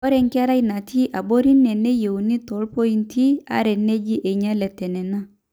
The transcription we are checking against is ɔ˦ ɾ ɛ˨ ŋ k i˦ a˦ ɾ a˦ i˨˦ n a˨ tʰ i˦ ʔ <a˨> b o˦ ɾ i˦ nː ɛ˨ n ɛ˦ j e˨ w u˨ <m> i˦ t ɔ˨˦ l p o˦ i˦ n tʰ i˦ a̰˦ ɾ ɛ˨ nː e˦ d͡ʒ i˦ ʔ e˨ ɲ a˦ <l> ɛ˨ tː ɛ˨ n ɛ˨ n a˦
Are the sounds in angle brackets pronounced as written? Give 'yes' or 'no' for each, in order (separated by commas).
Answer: yes, no, yes